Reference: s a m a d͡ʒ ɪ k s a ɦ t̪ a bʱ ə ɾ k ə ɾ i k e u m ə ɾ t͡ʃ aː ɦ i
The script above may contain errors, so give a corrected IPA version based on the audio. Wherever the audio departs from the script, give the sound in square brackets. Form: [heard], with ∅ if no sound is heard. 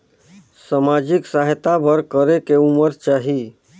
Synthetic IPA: s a m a d͡ʒ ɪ k s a ɦ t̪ a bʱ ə ɾ k ə ɾ [e] k e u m ə ɾ t͡ʃ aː ɦ i

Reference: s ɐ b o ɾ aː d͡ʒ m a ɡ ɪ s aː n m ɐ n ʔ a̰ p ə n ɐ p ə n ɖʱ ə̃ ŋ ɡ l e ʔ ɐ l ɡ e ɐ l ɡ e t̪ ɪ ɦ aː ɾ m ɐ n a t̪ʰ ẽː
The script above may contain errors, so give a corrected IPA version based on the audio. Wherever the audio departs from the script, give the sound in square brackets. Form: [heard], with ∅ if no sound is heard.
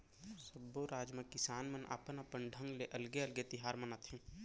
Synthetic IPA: s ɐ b o ɾ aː d͡ʒ m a [k] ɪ s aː n m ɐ n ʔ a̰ p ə n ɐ p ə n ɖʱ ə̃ ŋ ɡ l e ʔ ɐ l ɡ e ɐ l ɡ e t̪ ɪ ɦ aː ɾ m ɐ n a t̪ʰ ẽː

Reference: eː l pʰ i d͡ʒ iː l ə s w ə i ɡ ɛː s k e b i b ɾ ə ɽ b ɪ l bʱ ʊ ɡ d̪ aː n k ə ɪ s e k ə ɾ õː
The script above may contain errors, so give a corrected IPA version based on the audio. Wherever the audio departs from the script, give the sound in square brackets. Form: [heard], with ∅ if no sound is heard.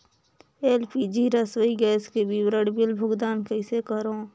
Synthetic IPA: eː l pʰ i d͡ʒ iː [ɾ] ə s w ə i ɡ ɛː s k e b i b ɾ ə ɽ b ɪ l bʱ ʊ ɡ d̪ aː n k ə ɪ s e k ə ɾ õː

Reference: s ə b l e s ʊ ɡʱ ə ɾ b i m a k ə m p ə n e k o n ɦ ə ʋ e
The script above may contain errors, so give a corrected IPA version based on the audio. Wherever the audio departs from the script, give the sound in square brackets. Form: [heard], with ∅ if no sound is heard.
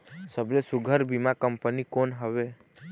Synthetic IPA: s ə b l e s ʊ ɡʱ ə ɾ b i m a k ə m p ə n [i] k o n ɦ ə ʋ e

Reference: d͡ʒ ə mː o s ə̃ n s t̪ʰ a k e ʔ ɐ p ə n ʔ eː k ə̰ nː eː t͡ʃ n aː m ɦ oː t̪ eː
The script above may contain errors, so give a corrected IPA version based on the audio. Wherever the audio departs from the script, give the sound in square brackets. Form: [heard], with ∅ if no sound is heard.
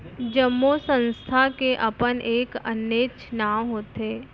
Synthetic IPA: d͡ʒ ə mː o s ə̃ n s t̪ʰ a k e ʔ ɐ p ə n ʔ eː k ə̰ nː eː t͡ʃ n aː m ɦ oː t̪ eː

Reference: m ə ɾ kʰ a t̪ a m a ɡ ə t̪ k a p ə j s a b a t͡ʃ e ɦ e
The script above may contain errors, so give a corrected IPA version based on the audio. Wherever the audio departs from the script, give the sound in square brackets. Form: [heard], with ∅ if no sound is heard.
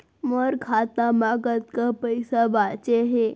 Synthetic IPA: m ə ɾ kʰ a t̪ a m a ɡ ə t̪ k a p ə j s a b a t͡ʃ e ɦ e

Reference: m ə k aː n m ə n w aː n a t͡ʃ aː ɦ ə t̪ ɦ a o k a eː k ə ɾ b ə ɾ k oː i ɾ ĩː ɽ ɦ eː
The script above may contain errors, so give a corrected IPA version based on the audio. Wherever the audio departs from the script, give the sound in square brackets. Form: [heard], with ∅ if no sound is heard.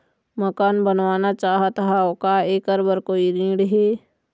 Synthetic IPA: m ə k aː n [b] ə n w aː n a t͡ʃ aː ɦ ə t̪ ɦ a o k a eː k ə ɾ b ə ɾ k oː i ɾ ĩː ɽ ɦ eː

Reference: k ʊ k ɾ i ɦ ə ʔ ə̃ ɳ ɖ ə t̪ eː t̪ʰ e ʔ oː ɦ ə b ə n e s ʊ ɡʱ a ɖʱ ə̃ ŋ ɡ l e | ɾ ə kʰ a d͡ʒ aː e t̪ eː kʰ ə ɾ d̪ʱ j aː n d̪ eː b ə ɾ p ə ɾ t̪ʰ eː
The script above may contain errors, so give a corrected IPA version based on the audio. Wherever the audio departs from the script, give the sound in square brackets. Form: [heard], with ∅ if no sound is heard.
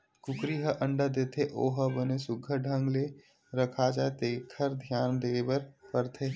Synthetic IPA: k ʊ k ɾ i ɦ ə ʔ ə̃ ɳ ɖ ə [d̪] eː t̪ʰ e ʔ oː ɦ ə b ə n e s ʊ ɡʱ [ə] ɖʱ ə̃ ŋ ɡ l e | ɾ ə kʰ a d͡ʒ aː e t̪ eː kʰ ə ɾ d̪ʱ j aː n d̪ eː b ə ɾ p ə ɾ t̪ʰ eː

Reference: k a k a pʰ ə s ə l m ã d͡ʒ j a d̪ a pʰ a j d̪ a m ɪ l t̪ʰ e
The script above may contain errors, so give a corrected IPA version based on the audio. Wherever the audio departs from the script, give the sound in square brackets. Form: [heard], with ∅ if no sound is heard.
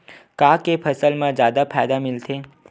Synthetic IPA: k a k [e] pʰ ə s ə l m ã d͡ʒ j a d̪ a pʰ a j d̪ a m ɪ l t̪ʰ e

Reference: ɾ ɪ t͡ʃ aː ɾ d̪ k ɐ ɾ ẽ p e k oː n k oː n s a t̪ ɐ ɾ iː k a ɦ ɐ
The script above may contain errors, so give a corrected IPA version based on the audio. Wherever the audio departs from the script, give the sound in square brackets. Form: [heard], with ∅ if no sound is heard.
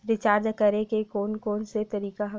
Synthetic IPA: ɾ ɪ t͡ʃ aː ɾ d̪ k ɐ ɾ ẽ [k] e k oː n k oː n s [e] t̪ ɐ ɾ iː k a ɦ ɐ

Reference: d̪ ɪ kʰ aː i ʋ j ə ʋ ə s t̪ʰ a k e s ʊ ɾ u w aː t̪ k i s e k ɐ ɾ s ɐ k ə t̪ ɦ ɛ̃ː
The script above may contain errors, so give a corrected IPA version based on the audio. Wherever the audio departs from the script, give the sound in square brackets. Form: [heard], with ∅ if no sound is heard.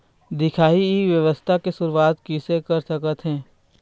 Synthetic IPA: d̪ ɪ kʰ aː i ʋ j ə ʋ ə s t̪ʰ a k e s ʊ ɾ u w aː t̪ k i s e k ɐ ɾ s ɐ k ə t̪ ɦ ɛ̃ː

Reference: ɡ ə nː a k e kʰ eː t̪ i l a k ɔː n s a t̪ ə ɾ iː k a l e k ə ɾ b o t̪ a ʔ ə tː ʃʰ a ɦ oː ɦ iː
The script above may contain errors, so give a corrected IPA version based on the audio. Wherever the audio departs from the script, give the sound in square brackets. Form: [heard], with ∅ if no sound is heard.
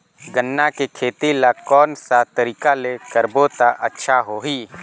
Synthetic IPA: ɡ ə nː a k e kʰ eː t̪ i l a k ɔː n s a t̪ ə ɾ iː k a l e k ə ɾ b o t̪ a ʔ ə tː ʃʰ a ɦ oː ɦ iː

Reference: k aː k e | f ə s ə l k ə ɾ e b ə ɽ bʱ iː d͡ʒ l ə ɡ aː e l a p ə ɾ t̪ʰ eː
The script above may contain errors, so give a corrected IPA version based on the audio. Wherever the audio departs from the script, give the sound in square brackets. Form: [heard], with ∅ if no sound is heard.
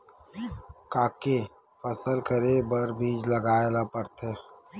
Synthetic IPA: k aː k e | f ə s ə l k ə ɾ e b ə [ɾ] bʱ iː d͡ʒ l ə ɡ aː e l a p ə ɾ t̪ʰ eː

